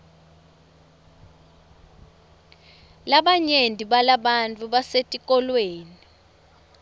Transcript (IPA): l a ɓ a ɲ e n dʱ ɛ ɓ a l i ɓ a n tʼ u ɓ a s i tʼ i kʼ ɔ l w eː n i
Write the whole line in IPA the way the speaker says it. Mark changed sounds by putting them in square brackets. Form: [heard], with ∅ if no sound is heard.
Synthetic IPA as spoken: l a ɓ a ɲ e n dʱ [i] ɓ a l [a] ɓ a n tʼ u ɓ a s [e] tʼ i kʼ ɔ l w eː n i